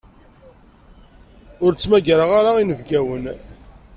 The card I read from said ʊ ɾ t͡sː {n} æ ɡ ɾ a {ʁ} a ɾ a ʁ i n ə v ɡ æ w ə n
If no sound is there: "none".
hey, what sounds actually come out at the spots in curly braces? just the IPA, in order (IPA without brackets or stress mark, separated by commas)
m, ʁ